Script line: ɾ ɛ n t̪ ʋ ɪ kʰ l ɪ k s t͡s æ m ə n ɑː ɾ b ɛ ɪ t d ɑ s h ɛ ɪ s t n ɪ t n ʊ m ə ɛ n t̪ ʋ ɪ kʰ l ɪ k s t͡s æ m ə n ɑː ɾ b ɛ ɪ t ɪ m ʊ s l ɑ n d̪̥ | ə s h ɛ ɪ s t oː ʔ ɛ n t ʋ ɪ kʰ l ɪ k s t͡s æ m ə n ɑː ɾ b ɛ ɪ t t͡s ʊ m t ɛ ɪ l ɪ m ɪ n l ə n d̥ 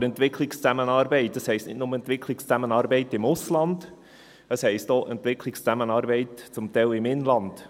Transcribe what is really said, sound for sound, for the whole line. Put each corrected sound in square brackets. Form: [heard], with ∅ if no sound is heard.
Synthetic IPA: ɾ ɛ n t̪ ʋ ɪ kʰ l ɪ k s t͡s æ m ə n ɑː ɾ b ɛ ɪ t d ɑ s h ɛ ɪ s t n ɪ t n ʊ m ə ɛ n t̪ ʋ ɪ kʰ l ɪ k s t͡s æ m ə n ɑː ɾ b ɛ ɪ t ɪ m ʊ s l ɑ n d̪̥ | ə s h ɛ ɪ s t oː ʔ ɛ n t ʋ ɪ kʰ l ɪ k s t͡s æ m ə n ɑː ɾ b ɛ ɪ t t͡s ʊ m t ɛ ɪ l ɪ m ɪ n l [ɑ] n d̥